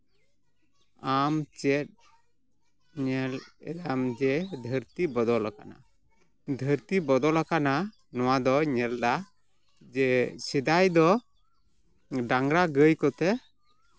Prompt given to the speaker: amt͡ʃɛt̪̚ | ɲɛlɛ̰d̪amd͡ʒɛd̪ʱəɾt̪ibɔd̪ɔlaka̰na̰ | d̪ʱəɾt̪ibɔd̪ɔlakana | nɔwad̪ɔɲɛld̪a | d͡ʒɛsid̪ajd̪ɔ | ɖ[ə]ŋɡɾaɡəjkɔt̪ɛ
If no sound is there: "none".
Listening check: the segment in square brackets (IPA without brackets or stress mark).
a